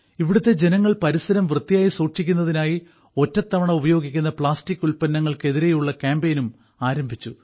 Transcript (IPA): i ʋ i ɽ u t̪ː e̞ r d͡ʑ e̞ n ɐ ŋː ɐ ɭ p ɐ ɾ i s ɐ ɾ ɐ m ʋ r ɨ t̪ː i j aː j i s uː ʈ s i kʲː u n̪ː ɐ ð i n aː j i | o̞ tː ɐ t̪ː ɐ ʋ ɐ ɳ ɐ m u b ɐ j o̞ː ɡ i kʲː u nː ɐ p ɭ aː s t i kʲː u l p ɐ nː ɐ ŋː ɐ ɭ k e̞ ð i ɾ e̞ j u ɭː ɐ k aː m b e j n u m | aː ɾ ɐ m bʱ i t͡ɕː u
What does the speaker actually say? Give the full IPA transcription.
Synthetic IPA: i ʋ i ɽ u t̪ː e̞ d͡ʑ e̞ n ɐ ŋː ɐ ɭ p ɐ ɾ i s ɐ ɾ ɐ m ʋ r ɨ t̪ː i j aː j i s uː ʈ ʂ i kʲː u n̪ː ɐ ð i n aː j i | o̞ tː ɐ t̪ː ɐ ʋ ɐ ɳ ɐ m u b ɐ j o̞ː ɡ i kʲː u nː ɐ p ɭ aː s t i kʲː u l p ɐ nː ɐ ŋː ɐ ɭ k e̞ ð i ɾ e̞ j u ɭː ɐ k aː m b e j n u m | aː ɾ ɐ m bʱ i t͡ɕː u

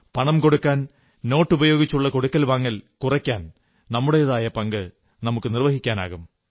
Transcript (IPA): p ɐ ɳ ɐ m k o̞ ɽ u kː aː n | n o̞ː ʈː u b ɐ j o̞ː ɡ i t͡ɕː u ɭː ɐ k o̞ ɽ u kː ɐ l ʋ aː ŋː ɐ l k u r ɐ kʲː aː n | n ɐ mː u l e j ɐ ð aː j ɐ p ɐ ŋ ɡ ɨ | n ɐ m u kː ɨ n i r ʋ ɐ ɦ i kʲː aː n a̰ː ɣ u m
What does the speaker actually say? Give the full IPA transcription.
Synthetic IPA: p ɐ ɳ ɐ m k o̞ ɽ u kː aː n | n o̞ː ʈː u b ɐ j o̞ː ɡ i t͡ɕː u ɭː ɐ k o̞ ɽ u kː ɐ l ʋ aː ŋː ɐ l k u r ɐ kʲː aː n | n ɐ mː u ɽ e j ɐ ð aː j ɐ p ɐ ŋ ɡ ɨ | n ɐ m u kː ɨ n i r ʋ ɐ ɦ i kʲː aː n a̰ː ɣ u m

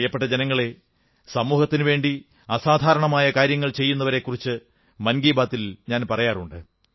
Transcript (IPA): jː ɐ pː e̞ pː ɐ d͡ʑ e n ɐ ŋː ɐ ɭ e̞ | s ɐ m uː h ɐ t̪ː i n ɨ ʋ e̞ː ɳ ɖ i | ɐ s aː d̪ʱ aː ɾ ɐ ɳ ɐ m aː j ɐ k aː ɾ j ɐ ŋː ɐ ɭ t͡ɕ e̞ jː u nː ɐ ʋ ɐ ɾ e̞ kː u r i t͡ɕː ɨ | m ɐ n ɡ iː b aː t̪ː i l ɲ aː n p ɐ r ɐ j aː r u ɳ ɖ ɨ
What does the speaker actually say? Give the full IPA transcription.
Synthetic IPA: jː ɐ pː e̞ ʈː ɐ d͡ʑ e n ɐ ŋː ɐ ɭ e̞ | s ɐ m uː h ɐ t̪ː i n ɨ ʋ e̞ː ɳ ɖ i | ɐ s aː d̪ʱ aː ɾ ɐ ɳ ɐ m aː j ɐ k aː ɾ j ɐ ŋː ɐ ɭ t͡ɕ e̞ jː u nː ɐ ʋ ɐ ɾ e̞ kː u r i t͡ɕː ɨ | m ɐ n ɡ iː b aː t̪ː i l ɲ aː n p ɐ r ɐ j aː r u ɳ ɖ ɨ

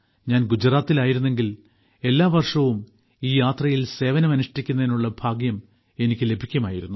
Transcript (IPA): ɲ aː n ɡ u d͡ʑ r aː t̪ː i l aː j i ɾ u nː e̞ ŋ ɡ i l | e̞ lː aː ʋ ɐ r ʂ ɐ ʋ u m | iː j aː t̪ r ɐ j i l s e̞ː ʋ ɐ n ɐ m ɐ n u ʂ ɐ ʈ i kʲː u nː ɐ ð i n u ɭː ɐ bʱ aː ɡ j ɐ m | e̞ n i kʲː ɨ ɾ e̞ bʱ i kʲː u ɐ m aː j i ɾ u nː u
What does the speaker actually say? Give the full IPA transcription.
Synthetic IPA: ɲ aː n ɡ u d͡ʑ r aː t̪ː i l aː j i ɾ u nː e̞ ŋ ɡ i l | e̞ lː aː ʋ ɐ r ʂ ɐ ʋ u m | iː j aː t̪ r ɐ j i l s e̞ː ʋ ɐ n ɐ m ɐ n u ʂ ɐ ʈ i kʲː u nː ɐ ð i n u ɭː ɐ bʱ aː ɡ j ɐ m | e̞ n i kʲː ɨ l e̞ bʱ i kʲː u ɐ m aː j i ɾ u nː u

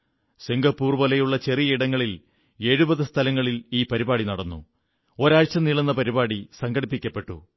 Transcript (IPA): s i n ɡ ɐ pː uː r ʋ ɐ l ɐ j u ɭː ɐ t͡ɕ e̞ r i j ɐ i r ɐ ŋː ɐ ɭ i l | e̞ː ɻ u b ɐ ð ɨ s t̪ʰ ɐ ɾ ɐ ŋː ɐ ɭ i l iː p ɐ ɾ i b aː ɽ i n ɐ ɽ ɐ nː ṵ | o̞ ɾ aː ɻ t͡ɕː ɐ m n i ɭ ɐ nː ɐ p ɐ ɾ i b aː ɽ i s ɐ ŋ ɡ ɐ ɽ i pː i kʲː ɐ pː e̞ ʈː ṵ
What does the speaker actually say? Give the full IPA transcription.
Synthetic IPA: s i ŋ ɡ ɐ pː uː r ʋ ɐ l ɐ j u ɭː ɐ t͡ɕ e̞ r i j ɐ i ɽ ɐ ŋː ɐ ɭ i l | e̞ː ɻ u b ɐ ð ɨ s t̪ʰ ɐ l ɐ ŋː ɐ ɭ i l iː p ɐ ɾ i b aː ɽ i n ɐ ɽ ɐ nː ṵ | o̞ ɾ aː ɻ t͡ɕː ɐ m n i ɭ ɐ nː ɐ p ɐ ɾ i b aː ɽ i s ɐ ŋ ɡ ɐ ɽ i pː i kʲː ɐ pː e̞ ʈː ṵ

